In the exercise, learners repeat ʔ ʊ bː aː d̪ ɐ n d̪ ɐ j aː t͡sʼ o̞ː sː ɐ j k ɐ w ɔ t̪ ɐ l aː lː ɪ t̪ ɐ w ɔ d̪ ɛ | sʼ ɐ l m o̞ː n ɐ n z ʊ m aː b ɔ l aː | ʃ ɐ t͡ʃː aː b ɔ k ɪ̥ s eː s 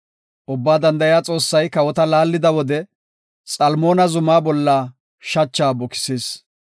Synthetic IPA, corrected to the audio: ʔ ʊ bː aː d̪ ɐ n d̪ ɐ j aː t͡sʼ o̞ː sː ɐ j k ɐ w ɔ t̪ ɐ l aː lː ɪ d̪ ɐ w ɔ d̪ ɛ | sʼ ɐ l m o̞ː n ɐ z ʊ m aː b ɔ lː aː | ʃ ɐ t͡ʃː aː b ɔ k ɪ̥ s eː s